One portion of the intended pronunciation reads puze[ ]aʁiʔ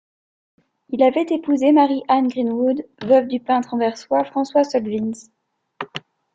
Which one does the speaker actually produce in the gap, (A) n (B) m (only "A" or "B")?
B